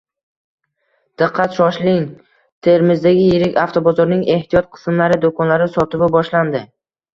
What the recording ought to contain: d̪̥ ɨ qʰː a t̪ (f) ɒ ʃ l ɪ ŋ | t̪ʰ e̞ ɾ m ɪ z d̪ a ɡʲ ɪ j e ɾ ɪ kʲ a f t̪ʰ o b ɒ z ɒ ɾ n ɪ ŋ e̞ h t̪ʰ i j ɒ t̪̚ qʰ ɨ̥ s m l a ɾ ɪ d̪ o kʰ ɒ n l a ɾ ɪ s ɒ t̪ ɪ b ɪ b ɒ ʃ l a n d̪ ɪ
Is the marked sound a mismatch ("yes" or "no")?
yes